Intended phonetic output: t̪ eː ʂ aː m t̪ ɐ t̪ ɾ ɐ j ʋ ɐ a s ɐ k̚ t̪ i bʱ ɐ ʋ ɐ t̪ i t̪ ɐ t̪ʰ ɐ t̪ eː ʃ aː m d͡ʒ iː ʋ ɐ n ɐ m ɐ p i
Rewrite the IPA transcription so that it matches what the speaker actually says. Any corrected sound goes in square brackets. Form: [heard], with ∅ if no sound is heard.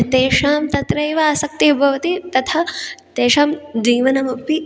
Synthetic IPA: t̪ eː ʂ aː m t̪ ɐ t̪ ɾ ɐ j ʋ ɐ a s ɐ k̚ t̪ i bʱ ɐ ʋ ɐ t̪ i t̪ ɐ t̪ʰ ɐ t̪ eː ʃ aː m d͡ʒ iː ʋ ɐ n ɐ m ɐ p i